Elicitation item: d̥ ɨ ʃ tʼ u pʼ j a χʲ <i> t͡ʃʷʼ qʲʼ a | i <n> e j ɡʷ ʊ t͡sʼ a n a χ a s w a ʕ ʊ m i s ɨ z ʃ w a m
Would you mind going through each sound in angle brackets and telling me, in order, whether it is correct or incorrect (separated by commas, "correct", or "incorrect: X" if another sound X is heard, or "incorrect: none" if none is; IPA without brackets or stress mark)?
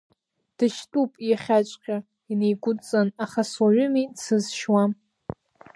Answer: incorrect: a, correct